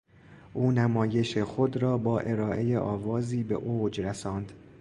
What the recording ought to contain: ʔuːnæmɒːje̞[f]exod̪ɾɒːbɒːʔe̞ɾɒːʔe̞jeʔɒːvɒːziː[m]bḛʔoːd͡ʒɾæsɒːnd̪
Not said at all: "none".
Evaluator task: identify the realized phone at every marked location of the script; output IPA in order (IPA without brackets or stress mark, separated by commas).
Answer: ʃ, none